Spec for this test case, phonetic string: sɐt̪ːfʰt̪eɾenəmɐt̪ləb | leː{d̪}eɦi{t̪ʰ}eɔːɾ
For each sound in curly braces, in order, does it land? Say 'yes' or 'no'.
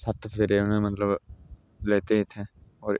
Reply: no, yes

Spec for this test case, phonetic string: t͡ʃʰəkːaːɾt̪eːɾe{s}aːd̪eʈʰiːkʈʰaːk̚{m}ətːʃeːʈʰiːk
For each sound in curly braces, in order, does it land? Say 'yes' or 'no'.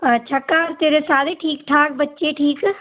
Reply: yes, no

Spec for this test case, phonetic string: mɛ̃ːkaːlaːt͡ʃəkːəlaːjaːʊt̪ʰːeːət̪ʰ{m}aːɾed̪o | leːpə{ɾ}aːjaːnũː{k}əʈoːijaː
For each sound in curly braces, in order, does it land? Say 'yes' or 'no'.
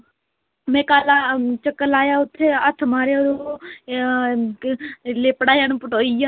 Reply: yes, no, no

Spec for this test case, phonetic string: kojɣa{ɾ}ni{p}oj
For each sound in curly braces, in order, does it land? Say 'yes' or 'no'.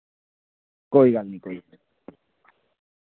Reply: no, no

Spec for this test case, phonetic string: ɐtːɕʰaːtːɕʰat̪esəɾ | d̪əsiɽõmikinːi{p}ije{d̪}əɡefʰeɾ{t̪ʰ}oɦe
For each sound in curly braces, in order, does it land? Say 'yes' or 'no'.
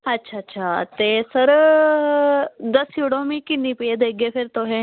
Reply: yes, yes, no

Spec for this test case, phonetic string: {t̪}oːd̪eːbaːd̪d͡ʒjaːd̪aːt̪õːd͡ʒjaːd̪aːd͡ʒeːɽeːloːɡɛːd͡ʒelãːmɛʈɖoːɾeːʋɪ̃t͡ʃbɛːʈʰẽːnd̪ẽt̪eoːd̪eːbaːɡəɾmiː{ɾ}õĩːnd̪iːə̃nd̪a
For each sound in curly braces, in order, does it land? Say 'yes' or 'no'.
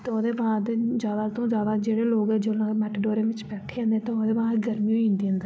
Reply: yes, no

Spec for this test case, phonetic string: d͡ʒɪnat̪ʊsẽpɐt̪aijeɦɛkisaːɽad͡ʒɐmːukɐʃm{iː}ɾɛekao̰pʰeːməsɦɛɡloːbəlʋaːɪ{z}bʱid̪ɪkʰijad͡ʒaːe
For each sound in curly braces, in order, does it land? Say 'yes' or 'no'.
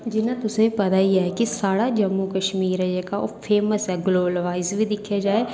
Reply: yes, yes

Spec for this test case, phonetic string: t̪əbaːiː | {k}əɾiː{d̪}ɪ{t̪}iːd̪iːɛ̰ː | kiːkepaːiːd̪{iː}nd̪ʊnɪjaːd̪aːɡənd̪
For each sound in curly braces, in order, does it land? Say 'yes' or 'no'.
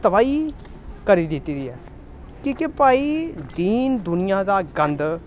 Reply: yes, yes, yes, yes

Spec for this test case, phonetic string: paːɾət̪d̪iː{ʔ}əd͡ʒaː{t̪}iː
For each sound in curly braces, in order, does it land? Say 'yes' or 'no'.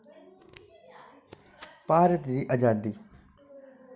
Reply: yes, no

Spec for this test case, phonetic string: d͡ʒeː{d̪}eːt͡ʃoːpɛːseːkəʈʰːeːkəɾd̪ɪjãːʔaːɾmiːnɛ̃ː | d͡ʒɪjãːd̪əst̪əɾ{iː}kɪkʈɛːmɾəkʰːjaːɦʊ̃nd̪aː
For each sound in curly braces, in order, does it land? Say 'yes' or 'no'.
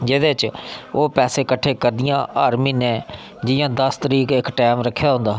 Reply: yes, yes

